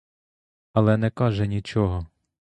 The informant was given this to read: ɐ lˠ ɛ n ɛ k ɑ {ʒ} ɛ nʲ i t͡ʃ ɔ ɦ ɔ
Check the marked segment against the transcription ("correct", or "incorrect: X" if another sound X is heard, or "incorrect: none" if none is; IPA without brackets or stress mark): correct